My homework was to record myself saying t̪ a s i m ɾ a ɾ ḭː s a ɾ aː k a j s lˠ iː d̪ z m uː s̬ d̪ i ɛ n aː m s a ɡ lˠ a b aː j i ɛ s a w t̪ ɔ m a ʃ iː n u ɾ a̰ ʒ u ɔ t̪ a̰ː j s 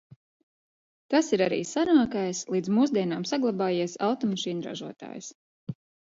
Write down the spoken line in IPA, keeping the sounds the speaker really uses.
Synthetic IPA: t̪ a s i ɾ a ɾ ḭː s a ɾ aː k a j s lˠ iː d̪ z m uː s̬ d̪ i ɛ n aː m s a ɡ lˠ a b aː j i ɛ s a w t̪ ɔ m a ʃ iː n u ɾ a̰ ʒ u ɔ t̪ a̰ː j s